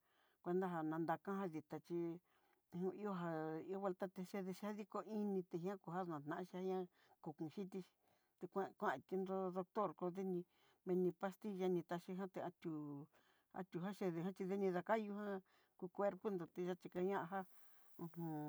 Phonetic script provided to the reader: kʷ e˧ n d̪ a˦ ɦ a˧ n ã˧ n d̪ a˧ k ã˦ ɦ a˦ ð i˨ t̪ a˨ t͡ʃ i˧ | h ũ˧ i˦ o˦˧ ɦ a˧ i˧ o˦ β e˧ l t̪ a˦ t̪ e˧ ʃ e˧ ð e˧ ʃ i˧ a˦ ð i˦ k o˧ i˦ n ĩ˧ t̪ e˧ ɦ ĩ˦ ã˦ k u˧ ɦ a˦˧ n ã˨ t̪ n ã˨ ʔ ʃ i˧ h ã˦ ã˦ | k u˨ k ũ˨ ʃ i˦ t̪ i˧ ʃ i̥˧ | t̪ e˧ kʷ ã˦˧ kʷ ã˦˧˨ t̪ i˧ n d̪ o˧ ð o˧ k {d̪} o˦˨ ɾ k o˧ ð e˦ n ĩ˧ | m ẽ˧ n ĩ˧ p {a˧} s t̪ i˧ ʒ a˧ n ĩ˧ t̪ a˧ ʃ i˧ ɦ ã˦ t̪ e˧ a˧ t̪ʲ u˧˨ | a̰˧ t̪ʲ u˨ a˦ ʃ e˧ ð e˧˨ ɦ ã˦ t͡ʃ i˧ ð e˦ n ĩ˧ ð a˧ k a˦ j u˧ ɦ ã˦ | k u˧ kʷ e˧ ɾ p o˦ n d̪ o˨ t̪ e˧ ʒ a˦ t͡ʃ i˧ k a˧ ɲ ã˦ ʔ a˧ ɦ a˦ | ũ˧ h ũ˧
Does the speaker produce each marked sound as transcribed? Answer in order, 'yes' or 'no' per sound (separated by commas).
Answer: no, yes